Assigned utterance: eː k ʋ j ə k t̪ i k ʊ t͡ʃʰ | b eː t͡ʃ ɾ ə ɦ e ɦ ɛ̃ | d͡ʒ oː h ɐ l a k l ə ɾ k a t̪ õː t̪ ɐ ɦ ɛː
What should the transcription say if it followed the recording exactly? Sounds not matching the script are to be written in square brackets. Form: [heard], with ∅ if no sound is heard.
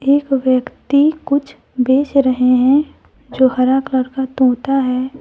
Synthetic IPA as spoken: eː k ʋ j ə k t̪ i k ʊ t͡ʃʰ | b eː t͡ʃ ɾ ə ɦ e ɦ ɛ̃ | d͡ʒ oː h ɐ [ɾ] a k l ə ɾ k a t̪ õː t̪ [a] ɦ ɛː